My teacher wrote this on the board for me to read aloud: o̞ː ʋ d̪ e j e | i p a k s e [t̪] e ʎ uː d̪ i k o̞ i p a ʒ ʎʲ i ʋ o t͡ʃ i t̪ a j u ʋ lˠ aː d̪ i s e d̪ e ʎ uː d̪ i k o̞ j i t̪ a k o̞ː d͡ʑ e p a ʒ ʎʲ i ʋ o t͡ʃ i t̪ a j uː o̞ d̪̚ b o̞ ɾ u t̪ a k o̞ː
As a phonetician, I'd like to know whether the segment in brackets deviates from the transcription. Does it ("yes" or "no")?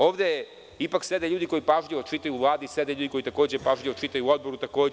yes